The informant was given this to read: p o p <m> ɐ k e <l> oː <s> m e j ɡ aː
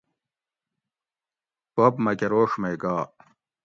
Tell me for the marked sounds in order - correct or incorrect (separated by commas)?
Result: correct, incorrect, incorrect